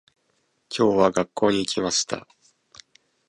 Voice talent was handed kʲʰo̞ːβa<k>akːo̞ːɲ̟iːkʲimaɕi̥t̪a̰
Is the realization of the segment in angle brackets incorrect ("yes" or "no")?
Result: yes